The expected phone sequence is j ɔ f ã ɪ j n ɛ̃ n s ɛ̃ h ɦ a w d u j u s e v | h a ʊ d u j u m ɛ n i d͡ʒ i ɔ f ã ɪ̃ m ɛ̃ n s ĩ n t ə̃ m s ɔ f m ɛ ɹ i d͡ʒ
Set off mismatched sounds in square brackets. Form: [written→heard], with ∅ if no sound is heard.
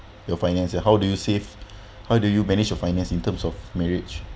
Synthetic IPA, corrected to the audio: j ɔ f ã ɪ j n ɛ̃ n s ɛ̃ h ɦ a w d u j u s e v | h a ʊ d u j u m ɛ n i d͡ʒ [i→j] ɔ f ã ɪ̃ [m→n] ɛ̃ n s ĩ n t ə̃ m s ɔ f m ɛ ɹ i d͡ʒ